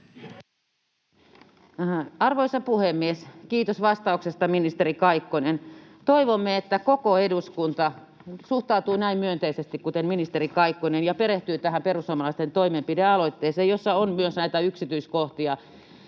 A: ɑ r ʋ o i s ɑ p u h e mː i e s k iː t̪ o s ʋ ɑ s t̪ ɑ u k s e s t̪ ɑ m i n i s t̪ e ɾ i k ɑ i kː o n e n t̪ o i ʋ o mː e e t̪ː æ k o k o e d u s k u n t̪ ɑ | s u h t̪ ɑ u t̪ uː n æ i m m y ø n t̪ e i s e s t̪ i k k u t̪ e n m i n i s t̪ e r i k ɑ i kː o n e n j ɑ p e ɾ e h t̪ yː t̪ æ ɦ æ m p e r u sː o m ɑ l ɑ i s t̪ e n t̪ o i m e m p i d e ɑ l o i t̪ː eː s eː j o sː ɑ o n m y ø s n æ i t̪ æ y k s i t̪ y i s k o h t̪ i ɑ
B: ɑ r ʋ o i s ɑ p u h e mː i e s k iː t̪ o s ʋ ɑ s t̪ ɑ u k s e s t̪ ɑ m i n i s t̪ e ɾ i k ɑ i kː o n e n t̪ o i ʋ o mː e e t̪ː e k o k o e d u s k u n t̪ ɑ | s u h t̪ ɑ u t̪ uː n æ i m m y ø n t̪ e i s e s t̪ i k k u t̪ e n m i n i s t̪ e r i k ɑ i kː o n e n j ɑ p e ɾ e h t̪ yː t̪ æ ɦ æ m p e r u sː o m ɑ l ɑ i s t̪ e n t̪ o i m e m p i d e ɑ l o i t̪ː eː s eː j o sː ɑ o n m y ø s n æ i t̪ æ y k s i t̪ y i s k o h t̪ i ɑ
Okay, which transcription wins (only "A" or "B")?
A